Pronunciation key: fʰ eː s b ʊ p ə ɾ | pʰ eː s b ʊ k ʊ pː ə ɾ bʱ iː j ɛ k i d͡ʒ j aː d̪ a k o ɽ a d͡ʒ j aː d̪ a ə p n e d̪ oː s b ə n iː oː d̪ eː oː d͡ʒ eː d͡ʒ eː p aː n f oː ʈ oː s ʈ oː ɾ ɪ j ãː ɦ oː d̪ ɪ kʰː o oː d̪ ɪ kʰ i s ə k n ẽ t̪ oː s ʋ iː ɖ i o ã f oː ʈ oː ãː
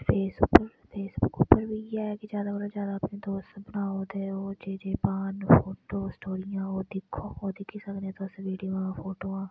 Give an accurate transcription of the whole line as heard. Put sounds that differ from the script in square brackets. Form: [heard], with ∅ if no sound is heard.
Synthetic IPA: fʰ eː s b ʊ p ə ɾ | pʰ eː s b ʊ k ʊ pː ə ɾ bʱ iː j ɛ k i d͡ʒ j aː d̪ a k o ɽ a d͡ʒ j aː d̪ a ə p n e d̪ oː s b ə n [aː] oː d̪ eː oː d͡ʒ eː d͡ʒ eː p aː n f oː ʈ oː s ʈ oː ɾ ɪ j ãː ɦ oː d̪ ɪ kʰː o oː d̪ ɪ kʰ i s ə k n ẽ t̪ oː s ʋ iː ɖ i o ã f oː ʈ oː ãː